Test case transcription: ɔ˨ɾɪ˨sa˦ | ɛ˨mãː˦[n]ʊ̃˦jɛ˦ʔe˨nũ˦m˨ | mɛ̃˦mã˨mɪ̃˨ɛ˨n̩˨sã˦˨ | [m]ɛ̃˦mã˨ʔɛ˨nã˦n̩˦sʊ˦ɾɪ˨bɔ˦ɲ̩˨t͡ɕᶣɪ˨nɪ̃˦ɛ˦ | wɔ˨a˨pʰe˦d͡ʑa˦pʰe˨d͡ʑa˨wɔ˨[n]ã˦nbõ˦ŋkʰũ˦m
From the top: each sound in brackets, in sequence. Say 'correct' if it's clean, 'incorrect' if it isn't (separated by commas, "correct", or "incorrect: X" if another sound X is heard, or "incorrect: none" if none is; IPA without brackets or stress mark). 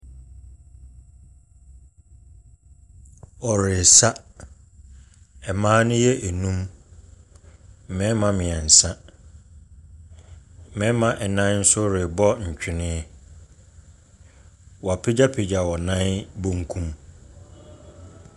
correct, correct, correct